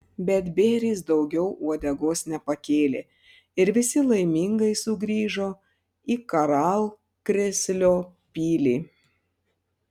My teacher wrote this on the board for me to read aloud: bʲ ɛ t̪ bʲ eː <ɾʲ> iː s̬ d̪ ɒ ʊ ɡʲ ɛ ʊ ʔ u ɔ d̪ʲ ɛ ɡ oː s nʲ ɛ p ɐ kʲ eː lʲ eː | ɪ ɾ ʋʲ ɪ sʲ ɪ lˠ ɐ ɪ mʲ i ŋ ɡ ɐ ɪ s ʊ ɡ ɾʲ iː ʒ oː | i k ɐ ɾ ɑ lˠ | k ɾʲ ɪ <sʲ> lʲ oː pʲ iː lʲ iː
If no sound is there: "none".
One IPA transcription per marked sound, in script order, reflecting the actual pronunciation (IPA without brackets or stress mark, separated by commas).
ɾʲ, sʲ